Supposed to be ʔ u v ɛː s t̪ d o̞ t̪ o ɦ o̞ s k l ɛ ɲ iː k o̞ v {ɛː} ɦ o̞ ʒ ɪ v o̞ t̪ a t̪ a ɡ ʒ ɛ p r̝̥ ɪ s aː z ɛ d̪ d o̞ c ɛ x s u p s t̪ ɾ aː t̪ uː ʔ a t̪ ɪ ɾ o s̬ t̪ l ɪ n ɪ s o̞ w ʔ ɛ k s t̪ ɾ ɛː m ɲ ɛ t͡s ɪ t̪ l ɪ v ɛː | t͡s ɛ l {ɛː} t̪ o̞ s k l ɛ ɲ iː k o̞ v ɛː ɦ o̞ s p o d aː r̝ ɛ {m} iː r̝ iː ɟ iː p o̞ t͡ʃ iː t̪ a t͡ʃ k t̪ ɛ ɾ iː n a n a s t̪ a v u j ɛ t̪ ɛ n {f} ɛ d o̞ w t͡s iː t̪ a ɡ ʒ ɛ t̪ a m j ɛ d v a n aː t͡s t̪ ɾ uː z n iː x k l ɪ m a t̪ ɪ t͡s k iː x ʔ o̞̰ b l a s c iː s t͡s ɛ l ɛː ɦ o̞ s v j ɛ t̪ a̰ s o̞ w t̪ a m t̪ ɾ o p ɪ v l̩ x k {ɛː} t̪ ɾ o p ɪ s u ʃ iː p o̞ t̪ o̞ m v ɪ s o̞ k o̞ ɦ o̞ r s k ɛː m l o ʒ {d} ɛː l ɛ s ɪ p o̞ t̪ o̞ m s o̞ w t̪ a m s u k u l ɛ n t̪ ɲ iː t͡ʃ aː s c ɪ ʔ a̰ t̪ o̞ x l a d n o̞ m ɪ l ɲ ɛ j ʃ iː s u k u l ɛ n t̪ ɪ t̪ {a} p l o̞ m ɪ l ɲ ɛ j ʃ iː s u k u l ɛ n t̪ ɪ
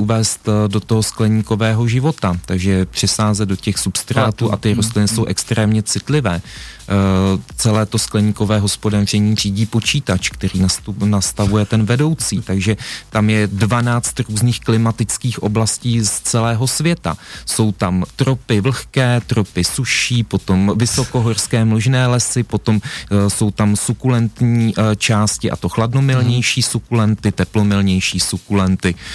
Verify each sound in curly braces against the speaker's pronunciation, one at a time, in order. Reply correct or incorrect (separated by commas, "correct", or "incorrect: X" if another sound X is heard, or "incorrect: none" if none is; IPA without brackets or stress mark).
correct, correct, incorrect: ɲ, incorrect: v, correct, incorrect: n, incorrect: ɛ